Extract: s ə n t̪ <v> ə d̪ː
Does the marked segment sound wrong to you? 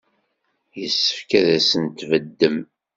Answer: no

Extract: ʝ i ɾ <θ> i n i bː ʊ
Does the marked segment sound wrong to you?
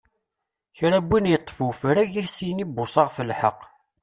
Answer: yes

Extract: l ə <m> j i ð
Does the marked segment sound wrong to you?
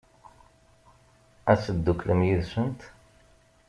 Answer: no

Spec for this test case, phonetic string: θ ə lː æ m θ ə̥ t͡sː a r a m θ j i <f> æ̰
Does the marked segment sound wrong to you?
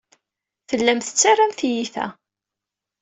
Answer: yes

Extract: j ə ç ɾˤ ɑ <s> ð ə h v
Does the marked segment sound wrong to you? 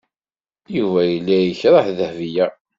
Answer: yes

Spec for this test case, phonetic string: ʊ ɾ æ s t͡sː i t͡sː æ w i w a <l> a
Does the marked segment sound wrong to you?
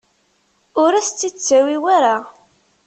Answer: yes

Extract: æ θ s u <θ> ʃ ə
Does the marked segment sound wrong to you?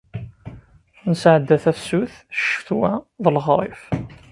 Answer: no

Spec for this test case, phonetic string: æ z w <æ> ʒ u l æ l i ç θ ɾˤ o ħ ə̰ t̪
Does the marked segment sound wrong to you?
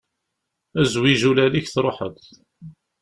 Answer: yes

